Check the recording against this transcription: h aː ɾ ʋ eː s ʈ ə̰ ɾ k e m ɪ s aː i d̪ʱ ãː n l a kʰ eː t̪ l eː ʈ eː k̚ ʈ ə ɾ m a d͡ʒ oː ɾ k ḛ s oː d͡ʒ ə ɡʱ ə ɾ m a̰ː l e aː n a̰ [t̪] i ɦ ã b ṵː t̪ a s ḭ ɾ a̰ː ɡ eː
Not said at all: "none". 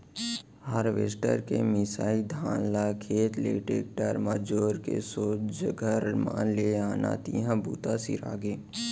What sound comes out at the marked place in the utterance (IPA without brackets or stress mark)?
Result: t̪